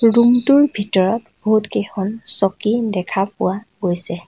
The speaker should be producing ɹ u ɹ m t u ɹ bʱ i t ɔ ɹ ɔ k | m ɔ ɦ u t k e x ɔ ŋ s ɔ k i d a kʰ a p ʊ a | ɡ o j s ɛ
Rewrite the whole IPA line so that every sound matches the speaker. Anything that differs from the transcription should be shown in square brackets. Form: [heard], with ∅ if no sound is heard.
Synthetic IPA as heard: ɹ u [∅] m t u ɹ bʱ i t ɔ ɹ ɔ [t] | [b] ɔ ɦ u t k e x ɔ [n] s ɔ k i d [ɛ] kʰ a p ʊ a | ɡ o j s ɛ